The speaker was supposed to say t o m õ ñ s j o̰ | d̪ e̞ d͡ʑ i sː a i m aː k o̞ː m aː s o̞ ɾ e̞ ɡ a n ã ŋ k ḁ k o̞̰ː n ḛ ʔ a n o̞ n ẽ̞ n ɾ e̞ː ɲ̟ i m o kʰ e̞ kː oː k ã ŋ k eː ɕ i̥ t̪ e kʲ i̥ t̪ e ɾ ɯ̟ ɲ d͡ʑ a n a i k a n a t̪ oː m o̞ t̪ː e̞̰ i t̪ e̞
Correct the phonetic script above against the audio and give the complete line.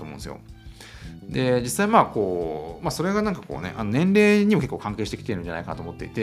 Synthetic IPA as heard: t o m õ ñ s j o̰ | d̪ e̞ d͡ʑ i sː a i m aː k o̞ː m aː s o̞ ɾ e̞ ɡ a n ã ŋ k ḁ k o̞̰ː n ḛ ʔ a n o̞ n ẽ̞ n ɾ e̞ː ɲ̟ i m o k e̞ kː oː k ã ŋ k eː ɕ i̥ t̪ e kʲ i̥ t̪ e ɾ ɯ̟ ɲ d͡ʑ a n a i k a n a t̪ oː m o̞ t̪ː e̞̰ i t̪ e̞